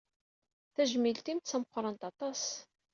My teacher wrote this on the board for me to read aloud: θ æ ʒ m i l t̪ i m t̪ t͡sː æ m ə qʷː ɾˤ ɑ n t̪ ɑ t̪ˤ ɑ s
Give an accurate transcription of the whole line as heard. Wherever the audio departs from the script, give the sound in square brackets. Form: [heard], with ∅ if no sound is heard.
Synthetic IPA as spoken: θ æ ʒ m i l t̪ i m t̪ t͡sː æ m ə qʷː ɾˤ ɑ n t̪ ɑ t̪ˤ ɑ s